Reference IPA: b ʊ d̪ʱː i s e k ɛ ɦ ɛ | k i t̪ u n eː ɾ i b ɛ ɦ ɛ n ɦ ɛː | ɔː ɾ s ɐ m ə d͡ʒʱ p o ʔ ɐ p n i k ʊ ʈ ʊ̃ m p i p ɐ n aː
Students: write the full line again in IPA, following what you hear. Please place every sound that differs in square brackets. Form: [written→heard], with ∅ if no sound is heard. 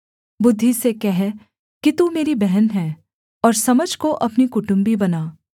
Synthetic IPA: b ʊ d̪ʱː i s e k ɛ ɦ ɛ | k i t̪ u [n→m] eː ɾ i b ɛ ɦ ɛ n ɦ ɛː | ɔː ɾ s ɐ m ə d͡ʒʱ [p→k] o ʔ ɐ p n i k ʊ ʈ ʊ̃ m [p→b] i [p→b] ɐ n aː